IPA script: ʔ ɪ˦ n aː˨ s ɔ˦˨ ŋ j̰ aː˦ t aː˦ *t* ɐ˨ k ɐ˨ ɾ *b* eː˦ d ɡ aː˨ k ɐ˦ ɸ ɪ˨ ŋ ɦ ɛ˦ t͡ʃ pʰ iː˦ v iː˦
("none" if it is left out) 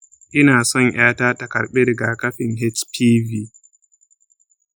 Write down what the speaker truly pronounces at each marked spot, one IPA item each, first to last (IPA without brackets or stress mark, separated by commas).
t, ɓ